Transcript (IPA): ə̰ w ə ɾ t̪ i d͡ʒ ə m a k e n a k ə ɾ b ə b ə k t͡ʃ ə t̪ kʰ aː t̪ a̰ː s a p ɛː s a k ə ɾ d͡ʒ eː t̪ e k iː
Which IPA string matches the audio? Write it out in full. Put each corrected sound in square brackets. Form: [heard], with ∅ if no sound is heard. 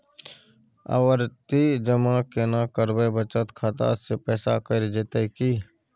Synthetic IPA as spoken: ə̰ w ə ɾ t̪ i d͡ʒ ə m a k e n a k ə ɾ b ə b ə [∅] t͡ʃ ə t̪ kʰ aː t̪ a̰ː s [e] p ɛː s a k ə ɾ d͡ʒ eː t̪ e k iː